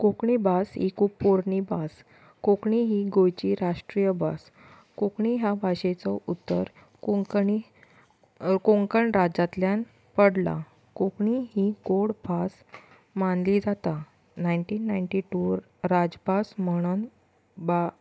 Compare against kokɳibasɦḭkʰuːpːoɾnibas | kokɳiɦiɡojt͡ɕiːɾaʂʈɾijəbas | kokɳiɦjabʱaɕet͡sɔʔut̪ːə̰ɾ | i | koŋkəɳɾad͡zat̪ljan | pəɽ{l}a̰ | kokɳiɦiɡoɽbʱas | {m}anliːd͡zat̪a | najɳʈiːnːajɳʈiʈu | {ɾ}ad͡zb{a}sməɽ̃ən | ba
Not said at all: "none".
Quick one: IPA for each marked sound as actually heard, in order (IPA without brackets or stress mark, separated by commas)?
l, m, ɾ, a